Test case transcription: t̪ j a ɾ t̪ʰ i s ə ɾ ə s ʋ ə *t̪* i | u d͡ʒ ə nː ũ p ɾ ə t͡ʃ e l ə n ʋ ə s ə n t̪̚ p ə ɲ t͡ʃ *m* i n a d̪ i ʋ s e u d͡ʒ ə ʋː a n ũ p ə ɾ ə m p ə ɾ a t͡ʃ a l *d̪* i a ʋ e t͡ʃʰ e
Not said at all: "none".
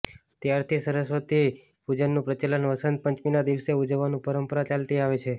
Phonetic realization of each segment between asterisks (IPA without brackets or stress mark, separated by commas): t̪, m, t̪